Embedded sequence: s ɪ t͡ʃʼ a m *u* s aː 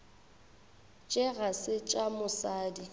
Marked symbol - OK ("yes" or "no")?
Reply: no